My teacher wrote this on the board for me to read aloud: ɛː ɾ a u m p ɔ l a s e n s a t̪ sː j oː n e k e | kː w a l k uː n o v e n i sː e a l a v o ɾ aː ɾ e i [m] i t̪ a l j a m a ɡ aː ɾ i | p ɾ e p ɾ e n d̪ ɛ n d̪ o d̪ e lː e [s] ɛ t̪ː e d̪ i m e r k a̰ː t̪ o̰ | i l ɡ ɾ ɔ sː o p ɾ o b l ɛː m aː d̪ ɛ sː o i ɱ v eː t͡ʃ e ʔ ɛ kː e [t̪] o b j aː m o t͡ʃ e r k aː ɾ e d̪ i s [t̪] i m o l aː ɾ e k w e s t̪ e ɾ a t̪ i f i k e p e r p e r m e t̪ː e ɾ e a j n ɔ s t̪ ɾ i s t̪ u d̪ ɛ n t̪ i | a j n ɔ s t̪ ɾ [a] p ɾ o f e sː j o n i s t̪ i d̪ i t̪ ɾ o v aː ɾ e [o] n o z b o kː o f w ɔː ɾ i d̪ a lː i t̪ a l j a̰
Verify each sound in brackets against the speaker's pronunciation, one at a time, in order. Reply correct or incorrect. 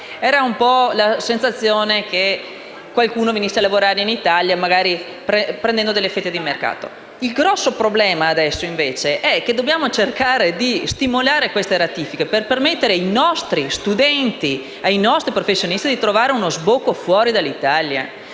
incorrect: n, incorrect: f, incorrect: d̪, correct, incorrect: i, incorrect: u

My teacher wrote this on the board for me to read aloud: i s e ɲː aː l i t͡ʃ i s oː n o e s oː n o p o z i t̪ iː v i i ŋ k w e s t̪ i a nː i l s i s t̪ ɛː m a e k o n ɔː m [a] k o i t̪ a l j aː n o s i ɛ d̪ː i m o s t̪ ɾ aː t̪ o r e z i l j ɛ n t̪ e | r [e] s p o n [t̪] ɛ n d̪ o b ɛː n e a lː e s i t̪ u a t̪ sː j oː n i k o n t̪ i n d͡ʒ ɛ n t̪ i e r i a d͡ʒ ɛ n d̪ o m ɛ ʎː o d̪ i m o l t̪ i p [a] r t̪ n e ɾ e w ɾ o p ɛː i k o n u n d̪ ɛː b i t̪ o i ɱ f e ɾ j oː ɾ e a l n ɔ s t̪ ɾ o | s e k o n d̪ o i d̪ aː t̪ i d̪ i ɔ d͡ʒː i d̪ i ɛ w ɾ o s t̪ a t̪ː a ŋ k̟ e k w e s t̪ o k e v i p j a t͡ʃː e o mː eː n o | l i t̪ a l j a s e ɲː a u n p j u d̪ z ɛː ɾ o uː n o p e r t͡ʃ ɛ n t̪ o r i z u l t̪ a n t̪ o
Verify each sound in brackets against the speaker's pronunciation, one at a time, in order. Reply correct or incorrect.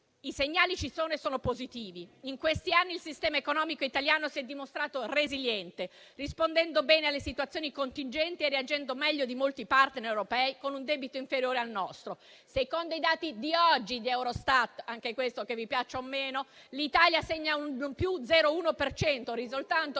incorrect: i, incorrect: i, incorrect: d̪, correct

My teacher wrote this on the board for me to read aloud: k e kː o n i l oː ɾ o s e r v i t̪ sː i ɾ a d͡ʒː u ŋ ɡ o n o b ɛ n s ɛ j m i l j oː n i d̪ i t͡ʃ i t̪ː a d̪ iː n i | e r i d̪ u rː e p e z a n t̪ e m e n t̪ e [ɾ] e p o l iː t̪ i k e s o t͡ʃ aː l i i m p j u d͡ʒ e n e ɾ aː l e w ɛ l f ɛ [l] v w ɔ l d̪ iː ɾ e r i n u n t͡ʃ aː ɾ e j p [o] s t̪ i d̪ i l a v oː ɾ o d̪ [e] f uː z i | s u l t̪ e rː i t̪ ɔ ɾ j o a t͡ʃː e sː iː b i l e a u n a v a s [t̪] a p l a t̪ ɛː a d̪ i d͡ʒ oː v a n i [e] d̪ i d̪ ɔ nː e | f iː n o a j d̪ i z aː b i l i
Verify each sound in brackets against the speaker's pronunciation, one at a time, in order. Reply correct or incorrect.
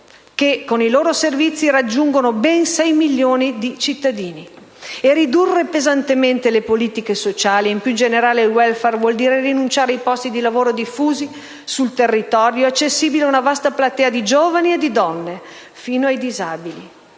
incorrect: l, incorrect: r, incorrect: ɔ, incorrect: i, correct, correct

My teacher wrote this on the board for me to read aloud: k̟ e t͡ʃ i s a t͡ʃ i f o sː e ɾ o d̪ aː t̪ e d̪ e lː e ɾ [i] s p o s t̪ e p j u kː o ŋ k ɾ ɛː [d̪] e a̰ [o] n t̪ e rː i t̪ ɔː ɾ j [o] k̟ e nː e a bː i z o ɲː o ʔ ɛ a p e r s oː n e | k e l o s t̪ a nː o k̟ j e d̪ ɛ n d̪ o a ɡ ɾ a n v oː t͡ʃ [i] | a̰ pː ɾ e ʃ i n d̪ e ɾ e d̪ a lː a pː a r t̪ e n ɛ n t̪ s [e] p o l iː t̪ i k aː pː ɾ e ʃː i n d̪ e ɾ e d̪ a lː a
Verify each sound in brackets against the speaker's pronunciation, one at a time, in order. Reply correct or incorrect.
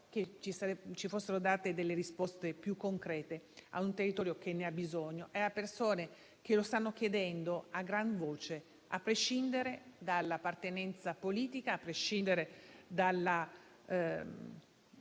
correct, incorrect: t̪, incorrect: u, correct, incorrect: e, incorrect: a

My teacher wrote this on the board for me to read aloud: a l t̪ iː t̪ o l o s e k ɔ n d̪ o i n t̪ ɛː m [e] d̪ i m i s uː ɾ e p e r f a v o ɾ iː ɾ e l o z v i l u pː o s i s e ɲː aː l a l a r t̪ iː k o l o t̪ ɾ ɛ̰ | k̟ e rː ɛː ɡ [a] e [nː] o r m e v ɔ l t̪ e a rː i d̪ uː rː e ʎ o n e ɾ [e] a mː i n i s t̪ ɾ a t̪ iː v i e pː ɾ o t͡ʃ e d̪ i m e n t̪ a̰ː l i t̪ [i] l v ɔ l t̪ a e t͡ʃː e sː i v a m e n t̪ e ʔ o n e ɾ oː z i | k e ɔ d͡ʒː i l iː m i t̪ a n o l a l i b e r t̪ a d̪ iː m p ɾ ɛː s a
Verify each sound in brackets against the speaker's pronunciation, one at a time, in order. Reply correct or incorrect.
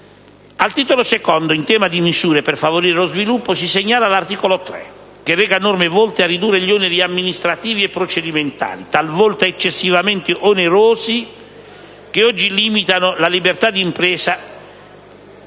incorrect: a, correct, incorrect: n, incorrect: i, incorrect: a

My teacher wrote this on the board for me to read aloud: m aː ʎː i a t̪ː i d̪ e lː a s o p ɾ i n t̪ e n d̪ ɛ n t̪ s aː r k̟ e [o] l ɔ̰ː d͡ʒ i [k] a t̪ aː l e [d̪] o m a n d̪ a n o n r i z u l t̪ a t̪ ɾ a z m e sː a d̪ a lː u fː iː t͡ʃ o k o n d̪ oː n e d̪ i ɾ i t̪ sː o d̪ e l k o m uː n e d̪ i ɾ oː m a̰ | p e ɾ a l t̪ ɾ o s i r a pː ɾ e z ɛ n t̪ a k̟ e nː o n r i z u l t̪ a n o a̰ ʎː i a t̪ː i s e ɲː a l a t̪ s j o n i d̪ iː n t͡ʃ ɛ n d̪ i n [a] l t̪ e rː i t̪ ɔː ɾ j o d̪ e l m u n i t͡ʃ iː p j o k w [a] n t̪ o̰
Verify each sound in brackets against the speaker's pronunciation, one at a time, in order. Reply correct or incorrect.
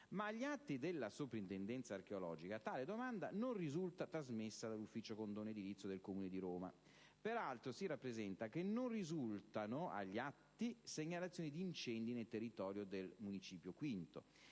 correct, correct, correct, incorrect: e, incorrect: i

